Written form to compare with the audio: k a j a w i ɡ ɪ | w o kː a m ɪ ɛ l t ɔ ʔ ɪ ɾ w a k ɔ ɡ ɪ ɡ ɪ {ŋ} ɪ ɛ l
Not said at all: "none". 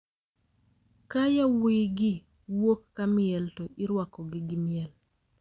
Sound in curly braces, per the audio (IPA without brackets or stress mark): m